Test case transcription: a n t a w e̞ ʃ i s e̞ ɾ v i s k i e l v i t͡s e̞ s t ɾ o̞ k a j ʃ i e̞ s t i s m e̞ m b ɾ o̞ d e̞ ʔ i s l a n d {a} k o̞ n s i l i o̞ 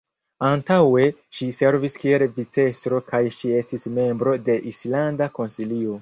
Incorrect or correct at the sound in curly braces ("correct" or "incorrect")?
correct